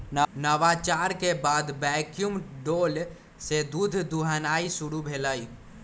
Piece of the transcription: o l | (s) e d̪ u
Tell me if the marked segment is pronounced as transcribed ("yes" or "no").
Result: yes